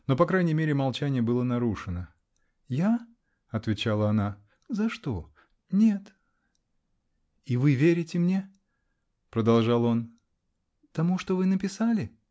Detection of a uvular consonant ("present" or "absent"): absent